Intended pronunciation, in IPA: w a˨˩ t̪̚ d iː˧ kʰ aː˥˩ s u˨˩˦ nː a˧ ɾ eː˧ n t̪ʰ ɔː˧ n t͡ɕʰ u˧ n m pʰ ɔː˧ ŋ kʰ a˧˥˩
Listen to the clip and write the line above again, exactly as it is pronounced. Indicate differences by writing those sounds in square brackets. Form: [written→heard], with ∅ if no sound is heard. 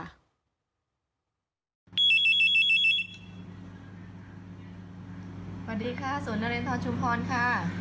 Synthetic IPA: w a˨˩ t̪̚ d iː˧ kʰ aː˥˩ s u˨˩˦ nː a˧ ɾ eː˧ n t̪ʰ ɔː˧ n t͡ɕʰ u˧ [n→∅] m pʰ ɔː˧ [ŋ→n] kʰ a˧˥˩